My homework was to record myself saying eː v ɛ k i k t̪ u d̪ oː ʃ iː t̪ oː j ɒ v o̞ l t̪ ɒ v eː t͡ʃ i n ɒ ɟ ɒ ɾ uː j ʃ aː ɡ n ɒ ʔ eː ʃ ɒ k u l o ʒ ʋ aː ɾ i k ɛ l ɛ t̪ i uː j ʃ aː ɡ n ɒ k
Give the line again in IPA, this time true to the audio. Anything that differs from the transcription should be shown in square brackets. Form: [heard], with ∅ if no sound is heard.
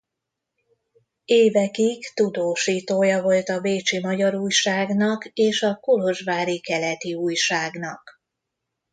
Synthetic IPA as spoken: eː v ɛ k i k t̪ u d̪ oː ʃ iː t̪ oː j ɒ v o̞ l t̪ ɒ v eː t͡ʃ i [m] ɒ ɟ ɒ ɾ uː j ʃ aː ɡ n ɒ [k] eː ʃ ɒ k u l o ʒ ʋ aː ɾ i k ɛ l ɛ t̪ i uː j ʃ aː ɡ n ɒ k